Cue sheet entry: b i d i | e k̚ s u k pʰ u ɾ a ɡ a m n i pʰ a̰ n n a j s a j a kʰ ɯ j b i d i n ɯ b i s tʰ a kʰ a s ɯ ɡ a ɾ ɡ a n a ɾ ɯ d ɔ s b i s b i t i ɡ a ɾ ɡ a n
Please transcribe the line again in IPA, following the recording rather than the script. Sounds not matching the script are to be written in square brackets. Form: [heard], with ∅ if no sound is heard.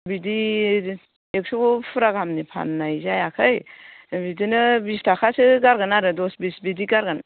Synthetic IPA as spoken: b i d i | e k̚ s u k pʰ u ɾ a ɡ a m n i pʰ a̰ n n a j [z] a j a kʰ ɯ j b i d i n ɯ b i s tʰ a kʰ a s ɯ ɡ a ɾ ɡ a n a ɾ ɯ d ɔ s b i s b i [d] i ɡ a ɾ ɡ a n